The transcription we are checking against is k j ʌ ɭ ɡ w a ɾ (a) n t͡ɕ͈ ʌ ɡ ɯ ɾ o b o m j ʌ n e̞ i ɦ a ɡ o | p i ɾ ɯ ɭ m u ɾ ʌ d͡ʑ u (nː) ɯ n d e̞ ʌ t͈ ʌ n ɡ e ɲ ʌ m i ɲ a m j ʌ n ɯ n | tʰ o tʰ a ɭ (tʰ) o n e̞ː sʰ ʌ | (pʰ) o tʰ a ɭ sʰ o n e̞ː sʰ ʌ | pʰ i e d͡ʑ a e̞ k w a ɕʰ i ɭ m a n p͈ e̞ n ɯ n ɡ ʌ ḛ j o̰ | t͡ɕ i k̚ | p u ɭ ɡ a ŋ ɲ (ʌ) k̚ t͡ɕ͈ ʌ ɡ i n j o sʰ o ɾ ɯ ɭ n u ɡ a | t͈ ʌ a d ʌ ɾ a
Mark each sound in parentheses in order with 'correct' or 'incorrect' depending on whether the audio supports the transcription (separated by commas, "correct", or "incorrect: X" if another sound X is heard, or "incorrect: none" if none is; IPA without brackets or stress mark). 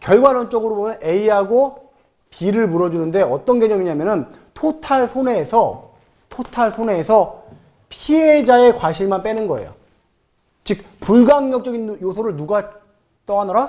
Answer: incorrect: ʌ, incorrect: n, incorrect: sʰ, incorrect: tʰ, correct